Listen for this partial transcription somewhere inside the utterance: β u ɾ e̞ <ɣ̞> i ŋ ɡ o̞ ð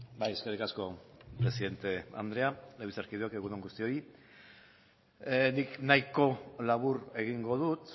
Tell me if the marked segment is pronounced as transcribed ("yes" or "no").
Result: yes